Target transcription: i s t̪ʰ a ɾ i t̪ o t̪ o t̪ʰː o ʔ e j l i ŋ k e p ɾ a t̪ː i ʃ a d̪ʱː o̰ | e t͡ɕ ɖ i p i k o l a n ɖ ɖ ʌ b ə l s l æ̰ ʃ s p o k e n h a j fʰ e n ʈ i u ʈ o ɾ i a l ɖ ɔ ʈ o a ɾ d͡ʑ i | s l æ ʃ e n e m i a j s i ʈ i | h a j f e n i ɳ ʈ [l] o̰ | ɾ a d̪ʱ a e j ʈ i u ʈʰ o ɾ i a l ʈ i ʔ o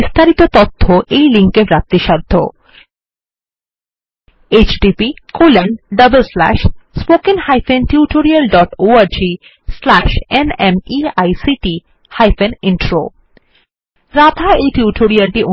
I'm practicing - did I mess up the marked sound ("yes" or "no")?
yes